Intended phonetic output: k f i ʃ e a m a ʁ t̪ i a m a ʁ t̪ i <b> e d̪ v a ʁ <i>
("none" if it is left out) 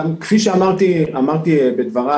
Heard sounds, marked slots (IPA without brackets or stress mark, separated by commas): b, a